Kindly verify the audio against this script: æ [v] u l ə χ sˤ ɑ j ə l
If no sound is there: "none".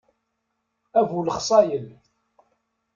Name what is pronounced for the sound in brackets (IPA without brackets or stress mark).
v